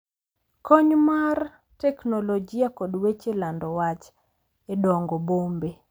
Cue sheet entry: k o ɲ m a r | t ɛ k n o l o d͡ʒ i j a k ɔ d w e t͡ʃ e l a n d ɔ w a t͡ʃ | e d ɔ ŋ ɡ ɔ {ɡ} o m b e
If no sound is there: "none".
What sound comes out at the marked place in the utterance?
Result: b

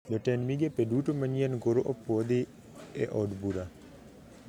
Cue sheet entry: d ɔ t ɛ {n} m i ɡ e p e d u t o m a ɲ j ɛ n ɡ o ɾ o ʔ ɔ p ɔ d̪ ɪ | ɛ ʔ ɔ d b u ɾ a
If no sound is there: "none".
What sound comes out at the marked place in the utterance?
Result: n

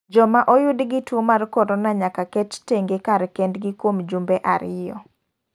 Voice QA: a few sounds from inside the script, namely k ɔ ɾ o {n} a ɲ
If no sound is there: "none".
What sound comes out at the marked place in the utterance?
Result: n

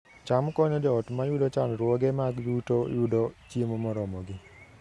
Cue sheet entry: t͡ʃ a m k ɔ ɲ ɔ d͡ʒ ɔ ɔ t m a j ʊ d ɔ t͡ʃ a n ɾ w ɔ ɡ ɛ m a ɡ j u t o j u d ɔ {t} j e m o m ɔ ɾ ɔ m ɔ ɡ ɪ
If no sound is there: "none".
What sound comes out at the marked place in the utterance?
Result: t͡ʃ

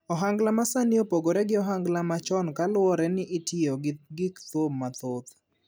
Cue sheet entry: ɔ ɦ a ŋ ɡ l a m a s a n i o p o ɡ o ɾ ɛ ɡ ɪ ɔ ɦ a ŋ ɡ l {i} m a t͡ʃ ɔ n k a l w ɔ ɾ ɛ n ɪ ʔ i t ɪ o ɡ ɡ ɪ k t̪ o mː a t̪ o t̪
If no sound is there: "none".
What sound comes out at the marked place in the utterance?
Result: a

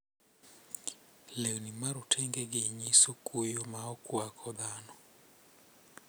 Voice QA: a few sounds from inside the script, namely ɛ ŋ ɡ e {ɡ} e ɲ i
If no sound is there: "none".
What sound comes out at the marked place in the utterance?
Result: ɡ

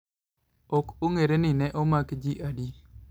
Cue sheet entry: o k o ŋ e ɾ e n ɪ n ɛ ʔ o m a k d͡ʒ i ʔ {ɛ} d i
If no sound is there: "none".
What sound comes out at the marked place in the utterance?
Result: a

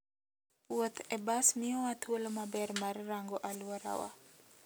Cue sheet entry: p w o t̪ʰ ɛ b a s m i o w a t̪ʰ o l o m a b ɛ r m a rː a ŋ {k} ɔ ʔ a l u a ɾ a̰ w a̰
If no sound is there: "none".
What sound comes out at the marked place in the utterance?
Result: ɡ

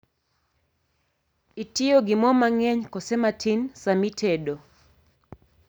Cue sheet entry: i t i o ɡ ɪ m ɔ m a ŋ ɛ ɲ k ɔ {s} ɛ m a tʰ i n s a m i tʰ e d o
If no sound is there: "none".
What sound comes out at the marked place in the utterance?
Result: s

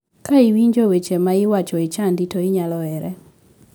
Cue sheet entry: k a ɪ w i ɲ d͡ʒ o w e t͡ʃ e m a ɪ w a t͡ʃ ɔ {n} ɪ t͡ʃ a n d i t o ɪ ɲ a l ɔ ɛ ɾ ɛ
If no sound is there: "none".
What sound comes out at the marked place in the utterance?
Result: none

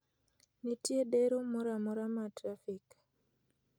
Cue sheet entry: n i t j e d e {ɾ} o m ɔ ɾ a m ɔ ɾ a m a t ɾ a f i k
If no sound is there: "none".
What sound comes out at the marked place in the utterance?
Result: ɾ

